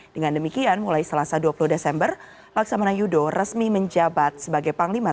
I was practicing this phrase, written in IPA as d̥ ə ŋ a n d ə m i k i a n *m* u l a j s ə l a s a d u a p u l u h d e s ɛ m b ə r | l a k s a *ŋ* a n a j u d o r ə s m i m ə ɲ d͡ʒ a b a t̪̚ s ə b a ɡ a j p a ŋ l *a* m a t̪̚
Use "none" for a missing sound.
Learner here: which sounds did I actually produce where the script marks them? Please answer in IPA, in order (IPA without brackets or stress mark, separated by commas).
m, m, i